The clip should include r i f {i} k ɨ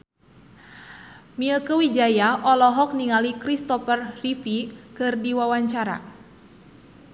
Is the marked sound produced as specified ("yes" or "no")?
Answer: yes